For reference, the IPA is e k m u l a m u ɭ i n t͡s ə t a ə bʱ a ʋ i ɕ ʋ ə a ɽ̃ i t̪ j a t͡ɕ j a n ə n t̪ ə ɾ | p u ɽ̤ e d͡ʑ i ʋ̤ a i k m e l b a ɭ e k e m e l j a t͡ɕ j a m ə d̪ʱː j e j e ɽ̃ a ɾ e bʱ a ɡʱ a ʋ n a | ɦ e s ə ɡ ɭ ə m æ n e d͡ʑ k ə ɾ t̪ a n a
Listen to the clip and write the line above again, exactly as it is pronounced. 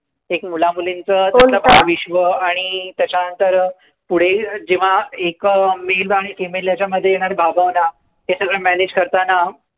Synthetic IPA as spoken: e k m u l a m u l i n t͡s ə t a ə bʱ a ʋ i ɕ ʋ ə a ɽ̃ i t̪ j a t͡ɕ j a n ə n t̪ ə ɾ | p u ɽ̤ e d͡ʑ i ʋ̤ a e k m e l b a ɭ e k e m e l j a t͡ɕ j a m ə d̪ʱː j e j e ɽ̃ a ɾ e bʱ a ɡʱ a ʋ n a | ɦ e s ə ɡ ɭ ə m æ n e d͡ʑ k ə ɾ t̪ a n a